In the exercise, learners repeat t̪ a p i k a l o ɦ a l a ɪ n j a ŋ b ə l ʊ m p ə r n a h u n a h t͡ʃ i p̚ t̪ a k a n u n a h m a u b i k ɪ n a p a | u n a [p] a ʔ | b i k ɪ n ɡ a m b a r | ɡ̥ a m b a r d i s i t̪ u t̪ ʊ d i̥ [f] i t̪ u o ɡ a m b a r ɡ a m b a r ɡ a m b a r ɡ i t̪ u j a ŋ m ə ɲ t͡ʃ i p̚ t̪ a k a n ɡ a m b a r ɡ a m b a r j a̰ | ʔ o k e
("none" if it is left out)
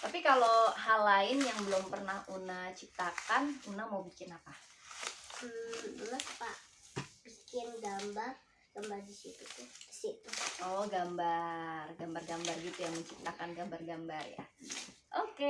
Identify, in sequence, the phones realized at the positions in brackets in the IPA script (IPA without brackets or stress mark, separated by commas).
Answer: p, s